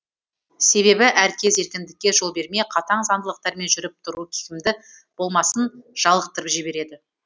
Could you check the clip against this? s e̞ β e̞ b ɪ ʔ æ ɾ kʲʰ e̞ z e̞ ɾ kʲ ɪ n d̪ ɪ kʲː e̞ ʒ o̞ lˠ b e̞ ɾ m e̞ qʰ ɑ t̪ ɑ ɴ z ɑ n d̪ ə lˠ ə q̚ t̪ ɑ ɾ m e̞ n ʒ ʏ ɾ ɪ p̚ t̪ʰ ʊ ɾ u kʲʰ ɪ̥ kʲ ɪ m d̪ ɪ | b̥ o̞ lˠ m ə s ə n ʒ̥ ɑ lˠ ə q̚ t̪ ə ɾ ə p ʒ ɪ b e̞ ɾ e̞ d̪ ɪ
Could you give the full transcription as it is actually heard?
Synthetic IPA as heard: s e̞ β e̞ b ɪ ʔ æ ɾ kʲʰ e̞ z e̞ ɾ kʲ ɪ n d̪ ɪ kʲː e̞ ʒ o̞ lˠ b e̞ ɾ m e̞ qʰ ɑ t̪ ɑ ɴ z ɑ n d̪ ə lˠ ə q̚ t̪ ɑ ɾ m e̞ n ʒ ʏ ɾ ɪ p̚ t̪ʰ ʊ ɾ u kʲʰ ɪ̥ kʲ ɪ m d̪ ɪ | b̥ o̞ lˠ m ɑ s ə n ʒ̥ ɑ lˠ ə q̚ t̪ ə ɾ ə p ʒ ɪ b e̞ ɾ e̞ d̪ ɪ

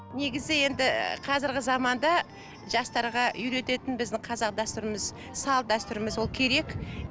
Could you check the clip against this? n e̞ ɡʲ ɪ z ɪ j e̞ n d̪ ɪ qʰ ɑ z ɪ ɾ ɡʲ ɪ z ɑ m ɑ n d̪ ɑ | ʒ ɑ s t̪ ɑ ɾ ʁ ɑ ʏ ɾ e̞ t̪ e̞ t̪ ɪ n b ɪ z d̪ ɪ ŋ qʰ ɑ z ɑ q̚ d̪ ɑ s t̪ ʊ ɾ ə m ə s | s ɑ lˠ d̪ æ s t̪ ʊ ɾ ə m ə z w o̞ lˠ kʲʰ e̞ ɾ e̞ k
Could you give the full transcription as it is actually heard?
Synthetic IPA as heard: n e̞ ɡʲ ɪ z ɪ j e̞ n d̪ ɪ qʰ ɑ z ɪ ɾ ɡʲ ɪ z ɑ m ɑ n d̪ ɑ | ʒ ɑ s t̪ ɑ ɾ ʁ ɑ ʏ ɾ e̞ t̪ e̞ t̪ ɪ n b ɪ z d̪ ɪ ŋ qʰ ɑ z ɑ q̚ d̪ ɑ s t̪ ʊ ɾ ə m ə z | s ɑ lˠ d̪ æ s t̪ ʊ ɾ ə m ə z w o̞ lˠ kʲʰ e̞ ɾ e̞ k

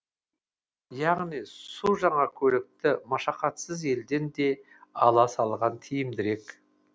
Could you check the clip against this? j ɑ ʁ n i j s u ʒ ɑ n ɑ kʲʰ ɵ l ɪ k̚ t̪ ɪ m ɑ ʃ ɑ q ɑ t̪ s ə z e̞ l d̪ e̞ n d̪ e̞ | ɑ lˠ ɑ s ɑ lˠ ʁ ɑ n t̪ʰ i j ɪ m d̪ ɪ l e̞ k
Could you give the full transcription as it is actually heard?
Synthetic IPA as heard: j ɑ ʁ n i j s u ʒ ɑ ɴ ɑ kʲʰ ɵ l ɪ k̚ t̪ ɪ m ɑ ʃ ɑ q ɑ t̪ s ə z e̞ l d̪ e̞ n d̪ e̞ | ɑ lˠ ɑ s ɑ lˠ ʁ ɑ n t̪ʰ i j ɪ m d̪ ɪ ɾ e̞ k

